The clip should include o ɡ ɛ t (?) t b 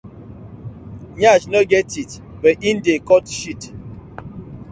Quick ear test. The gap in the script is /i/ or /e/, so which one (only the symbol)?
i